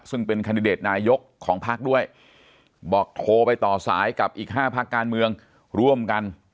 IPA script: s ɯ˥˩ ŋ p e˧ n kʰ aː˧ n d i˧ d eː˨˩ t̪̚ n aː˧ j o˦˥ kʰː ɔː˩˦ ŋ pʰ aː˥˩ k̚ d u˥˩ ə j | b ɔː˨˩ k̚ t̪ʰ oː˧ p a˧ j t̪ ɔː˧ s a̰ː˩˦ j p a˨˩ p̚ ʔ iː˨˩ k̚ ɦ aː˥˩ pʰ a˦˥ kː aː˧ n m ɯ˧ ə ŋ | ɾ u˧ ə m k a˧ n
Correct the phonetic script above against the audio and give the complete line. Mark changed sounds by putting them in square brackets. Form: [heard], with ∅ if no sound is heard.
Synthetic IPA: s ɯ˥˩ ŋ p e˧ n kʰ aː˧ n d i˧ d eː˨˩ t̪̚ n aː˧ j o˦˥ kʰː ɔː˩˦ ŋ pʰ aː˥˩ k̚ d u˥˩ ə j | b ɔː˨˩ k̚ t̪ʰ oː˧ p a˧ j t̪ [ɔː˨˩] s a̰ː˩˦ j [k] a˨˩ p̚ ʔ iː˨˩ k̚ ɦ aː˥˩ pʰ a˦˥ kː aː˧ n m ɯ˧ ə ŋ | ɾ [u˥˩] ə m k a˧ n